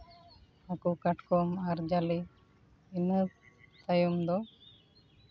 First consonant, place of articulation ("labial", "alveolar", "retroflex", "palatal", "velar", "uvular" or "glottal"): velar